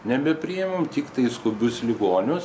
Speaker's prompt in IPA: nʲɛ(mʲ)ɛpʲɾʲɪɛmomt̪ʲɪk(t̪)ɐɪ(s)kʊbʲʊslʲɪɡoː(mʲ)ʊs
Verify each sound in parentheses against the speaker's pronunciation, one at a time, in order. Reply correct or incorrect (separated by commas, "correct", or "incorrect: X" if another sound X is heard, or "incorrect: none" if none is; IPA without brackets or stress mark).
incorrect: bʲ, correct, correct, incorrect: nʲ